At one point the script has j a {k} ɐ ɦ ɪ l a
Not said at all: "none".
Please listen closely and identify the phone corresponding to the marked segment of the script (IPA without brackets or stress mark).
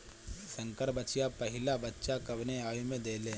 p